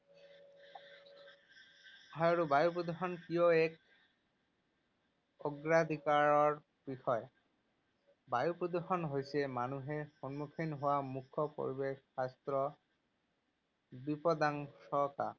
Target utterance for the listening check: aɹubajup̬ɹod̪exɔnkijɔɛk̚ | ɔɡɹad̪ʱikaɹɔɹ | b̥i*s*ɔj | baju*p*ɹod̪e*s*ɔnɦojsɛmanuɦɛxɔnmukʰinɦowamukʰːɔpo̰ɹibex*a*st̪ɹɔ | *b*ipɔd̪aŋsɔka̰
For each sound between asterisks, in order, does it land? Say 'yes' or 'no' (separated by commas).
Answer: no, yes, no, yes, yes